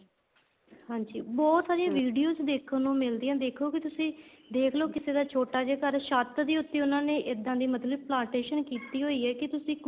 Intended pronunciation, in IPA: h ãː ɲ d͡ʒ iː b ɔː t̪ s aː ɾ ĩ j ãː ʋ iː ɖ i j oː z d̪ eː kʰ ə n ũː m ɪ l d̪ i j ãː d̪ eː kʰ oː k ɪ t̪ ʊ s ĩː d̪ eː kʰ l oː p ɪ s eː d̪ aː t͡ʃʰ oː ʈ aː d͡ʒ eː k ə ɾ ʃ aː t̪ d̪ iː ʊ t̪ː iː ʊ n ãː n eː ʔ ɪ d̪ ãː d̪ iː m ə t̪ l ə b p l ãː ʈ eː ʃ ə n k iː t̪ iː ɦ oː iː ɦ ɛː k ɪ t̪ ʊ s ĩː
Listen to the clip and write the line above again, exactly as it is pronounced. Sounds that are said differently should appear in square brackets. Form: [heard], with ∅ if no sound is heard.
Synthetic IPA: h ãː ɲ d͡ʒ iː b ɔː t̪ s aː ɾ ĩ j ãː ʋ iː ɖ i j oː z d̪ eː kʰ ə n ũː m ɪ l d̪ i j ãː d̪ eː kʰ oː k ɪ t̪ ʊ s ĩː d̪ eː kʰ l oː [k] ɪ s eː d̪ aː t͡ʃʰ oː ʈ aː d͡ʒ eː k ə ɾ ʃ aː t̪ d̪ iː ʊ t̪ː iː ʊ n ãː n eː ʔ ɪ d̪ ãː d̪ iː m ə t̪ l ə b p l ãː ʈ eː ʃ ə n k iː t̪ iː ɦ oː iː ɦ ɛː k ɪ t̪ ʊ s ĩː